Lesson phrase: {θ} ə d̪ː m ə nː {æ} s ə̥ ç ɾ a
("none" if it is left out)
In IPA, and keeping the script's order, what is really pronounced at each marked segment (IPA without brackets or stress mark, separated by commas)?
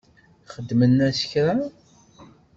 χ, æ